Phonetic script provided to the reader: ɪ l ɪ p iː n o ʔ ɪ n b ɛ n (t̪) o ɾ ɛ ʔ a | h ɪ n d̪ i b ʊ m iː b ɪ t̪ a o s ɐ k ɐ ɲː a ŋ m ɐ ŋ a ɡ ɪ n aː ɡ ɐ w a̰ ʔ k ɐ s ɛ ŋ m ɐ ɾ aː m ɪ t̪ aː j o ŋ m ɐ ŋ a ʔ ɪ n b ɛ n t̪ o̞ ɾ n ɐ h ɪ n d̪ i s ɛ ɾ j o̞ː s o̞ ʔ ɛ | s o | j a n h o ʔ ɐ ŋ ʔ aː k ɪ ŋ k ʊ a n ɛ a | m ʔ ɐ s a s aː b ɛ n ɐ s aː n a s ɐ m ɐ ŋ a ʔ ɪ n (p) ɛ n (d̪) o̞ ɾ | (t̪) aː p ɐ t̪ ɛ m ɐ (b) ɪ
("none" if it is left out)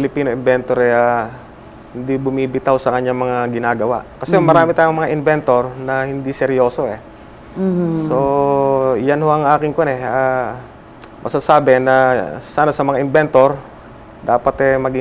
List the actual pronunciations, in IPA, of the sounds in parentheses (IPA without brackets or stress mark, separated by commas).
t̪, b, t̪, d̪, ɡ